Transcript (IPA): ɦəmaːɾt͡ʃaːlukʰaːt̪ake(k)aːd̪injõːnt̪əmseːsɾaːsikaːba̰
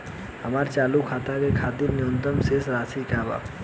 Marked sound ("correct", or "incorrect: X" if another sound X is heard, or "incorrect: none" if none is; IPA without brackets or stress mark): incorrect: kʰ